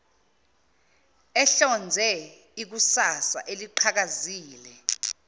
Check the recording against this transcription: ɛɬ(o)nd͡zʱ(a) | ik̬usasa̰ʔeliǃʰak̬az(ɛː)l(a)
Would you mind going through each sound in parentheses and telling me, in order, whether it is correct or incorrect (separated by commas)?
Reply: incorrect, incorrect, incorrect, incorrect